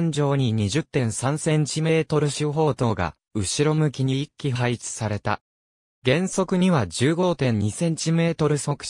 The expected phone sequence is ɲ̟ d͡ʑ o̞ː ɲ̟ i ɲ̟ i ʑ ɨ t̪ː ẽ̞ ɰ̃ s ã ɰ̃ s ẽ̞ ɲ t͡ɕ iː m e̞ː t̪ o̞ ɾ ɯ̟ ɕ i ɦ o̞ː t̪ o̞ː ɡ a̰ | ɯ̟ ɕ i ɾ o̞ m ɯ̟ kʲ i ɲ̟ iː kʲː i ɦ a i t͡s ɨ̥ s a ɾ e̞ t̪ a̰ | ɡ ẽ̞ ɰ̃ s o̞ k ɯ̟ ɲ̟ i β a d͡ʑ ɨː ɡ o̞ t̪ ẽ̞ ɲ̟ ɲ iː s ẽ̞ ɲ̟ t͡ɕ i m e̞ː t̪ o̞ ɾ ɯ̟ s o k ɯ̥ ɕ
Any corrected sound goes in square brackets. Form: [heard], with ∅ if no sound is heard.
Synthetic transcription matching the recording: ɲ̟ d͡ʑ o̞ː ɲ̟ i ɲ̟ i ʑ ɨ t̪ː ẽ̞ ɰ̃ s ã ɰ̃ s ẽ̞ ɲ t͡ɕ [i] m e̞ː t̪ o̞ ɾ ɯ̟ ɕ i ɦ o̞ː t̪ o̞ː ɡ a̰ | ɯ̟ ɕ i ɾ o̞ m ɯ̟ kʲ i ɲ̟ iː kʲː i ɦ a i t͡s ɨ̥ s a ɾ e̞ t̪ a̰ | ɡ ẽ̞ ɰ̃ s o̞ k ɯ̟ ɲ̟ i β a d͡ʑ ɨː ɡ o̞ t̪ ẽ̞ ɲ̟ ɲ [i] s ẽ̞ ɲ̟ t͡ɕ i m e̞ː t̪ o̞ ɾ ɯ̟ s o k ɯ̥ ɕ